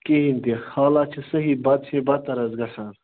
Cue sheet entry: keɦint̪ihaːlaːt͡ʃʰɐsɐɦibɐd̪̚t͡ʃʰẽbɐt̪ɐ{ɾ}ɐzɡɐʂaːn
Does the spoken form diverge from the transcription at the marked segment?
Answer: no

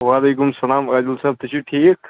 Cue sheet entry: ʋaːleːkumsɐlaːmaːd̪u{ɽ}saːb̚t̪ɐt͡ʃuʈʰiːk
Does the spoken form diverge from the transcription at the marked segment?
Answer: yes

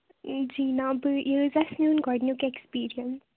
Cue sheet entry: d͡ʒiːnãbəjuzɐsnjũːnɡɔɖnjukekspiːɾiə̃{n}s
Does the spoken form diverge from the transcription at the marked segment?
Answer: no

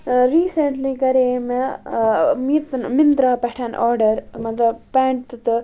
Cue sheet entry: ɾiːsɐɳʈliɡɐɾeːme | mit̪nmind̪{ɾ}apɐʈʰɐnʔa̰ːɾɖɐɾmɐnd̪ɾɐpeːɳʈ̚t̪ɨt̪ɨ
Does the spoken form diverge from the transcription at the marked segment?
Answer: no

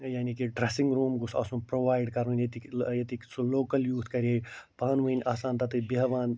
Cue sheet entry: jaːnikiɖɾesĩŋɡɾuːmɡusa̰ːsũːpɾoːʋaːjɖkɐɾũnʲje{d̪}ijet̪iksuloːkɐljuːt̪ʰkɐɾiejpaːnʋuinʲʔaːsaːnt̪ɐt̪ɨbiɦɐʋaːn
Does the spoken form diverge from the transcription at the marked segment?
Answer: yes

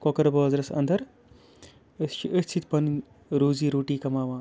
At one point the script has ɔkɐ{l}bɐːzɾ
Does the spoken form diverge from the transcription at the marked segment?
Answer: yes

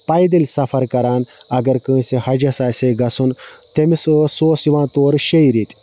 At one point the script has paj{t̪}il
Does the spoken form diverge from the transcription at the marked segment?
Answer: yes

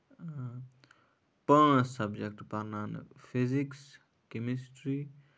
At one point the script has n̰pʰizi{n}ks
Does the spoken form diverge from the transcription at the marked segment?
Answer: yes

